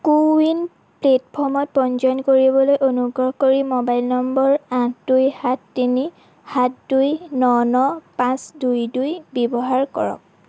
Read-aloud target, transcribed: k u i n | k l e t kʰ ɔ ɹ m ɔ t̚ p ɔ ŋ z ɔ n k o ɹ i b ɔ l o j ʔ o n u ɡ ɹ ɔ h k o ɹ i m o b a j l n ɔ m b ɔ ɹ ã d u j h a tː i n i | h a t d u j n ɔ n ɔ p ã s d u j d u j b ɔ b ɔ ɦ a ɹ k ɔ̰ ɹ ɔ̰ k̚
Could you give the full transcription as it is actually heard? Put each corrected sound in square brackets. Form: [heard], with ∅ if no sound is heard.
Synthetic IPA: k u i n | [p] l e t [pʰ] ɔ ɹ m ɔ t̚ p ɔ [n] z ɔ n k o ɹ i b ɔ l o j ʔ o n u ɡ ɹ ɔ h k o ɹ i m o b a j l n ɔ m b ɔ ɹ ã d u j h a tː i n i | h a t d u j n ɔ n ɔ p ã s d u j d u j b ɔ b ɔ ɦ a ɹ k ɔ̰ ɹ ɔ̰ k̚